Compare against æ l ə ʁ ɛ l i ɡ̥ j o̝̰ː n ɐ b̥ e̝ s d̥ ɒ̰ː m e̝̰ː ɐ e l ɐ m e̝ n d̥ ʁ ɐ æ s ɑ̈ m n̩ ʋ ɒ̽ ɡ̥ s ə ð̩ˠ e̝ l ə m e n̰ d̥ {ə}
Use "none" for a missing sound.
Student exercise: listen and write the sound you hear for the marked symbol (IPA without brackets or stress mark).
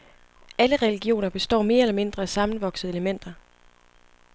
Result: ɐ